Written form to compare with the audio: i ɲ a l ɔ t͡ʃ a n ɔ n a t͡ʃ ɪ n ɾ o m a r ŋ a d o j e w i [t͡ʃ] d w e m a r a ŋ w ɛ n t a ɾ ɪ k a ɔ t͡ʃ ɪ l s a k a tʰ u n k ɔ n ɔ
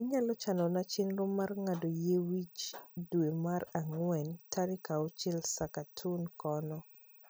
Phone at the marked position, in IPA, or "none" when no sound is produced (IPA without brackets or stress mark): t͡ʃ